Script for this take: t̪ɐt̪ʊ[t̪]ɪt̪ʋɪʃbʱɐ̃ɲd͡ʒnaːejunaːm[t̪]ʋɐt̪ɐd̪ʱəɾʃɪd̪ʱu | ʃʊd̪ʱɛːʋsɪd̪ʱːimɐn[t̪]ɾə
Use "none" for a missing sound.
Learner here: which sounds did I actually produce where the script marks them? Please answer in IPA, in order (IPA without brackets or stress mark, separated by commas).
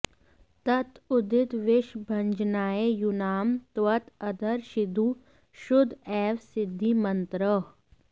d̪, t̪, t̪